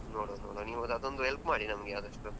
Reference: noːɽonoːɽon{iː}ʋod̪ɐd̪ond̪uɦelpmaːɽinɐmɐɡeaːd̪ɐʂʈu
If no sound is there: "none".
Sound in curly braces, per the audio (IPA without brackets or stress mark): iː